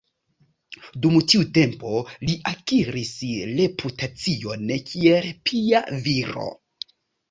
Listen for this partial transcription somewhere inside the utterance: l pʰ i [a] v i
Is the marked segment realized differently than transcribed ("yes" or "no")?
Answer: no